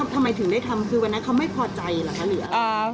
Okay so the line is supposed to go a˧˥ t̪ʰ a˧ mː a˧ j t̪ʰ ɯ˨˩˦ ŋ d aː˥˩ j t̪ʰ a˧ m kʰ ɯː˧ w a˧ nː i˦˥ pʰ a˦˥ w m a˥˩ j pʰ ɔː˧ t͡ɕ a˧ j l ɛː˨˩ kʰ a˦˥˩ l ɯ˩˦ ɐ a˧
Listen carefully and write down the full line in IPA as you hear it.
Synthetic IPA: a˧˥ t̪ʰ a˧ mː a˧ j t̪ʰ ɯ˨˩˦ ŋ d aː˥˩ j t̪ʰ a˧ m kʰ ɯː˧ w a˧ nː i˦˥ kʰ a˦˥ w m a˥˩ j pʰ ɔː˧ t͡ɕ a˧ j l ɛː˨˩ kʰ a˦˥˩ l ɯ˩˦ ɐ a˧